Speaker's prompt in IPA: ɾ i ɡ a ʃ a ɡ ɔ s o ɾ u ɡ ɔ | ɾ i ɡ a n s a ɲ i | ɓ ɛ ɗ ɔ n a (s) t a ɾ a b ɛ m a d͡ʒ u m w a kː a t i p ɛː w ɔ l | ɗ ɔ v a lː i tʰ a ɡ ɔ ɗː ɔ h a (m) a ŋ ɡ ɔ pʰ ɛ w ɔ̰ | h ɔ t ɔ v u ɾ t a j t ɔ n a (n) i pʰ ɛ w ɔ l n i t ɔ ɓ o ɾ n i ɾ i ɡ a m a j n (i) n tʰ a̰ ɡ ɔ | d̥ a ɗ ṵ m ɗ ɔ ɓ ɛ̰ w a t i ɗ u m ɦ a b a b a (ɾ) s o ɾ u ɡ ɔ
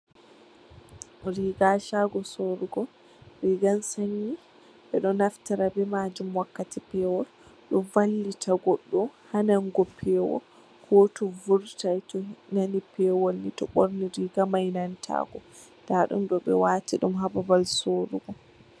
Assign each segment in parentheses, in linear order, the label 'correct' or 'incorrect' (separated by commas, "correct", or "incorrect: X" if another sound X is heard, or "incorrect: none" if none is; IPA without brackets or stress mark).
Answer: incorrect: f, incorrect: n, correct, incorrect: a, incorrect: l